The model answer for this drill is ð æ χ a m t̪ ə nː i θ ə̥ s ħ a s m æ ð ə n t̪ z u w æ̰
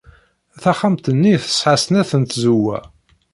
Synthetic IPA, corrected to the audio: θ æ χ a m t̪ ə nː i θ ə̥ s ħ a s n æ θ ə n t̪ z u w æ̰